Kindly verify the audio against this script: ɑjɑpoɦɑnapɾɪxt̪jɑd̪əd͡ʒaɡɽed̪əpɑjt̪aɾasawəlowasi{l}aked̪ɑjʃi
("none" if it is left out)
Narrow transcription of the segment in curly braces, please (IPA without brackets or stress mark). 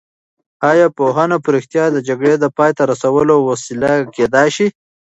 l